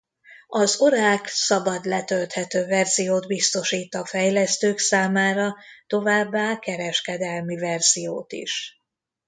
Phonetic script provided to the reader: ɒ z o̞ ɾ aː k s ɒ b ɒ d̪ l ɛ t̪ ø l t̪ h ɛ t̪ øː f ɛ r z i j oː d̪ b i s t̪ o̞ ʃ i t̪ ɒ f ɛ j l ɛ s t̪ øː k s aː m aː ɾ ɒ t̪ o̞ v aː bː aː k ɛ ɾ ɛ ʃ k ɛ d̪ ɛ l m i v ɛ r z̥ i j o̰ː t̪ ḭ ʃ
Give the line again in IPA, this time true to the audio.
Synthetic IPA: ɒ z o̞ ɾ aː k s ɒ b ɒ d̪ l ɛ t̪ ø l t̪ h ɛ t̪ øː v ɛ r z i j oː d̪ b i s t̪ o̞ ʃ iː t̪ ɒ f ɛ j l ɛ s t̪ øː k s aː m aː ɾ ɒ t̪ o̞ v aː bː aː k ɛ ɾ ɛ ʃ k ɛ d̪ ɛ l m i v ɛ r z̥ i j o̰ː t̪ ḭ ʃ